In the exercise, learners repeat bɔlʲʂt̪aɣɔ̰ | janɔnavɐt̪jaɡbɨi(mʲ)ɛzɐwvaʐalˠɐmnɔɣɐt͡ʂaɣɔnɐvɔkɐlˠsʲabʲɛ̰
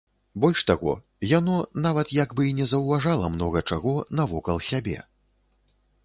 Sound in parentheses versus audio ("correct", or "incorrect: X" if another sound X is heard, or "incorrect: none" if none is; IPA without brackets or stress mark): incorrect: nʲ